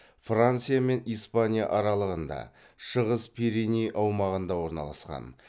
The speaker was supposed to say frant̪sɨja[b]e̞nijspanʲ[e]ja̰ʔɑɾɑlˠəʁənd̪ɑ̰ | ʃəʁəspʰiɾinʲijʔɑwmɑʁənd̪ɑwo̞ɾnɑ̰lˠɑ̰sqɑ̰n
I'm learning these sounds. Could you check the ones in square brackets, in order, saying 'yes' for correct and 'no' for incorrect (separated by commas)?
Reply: no, no